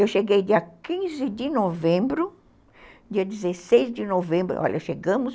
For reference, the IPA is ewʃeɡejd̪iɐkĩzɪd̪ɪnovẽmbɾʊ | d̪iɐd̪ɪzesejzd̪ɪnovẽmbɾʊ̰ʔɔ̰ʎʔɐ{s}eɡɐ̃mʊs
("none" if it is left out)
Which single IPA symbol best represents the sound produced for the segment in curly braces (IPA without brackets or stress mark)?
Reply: ʃ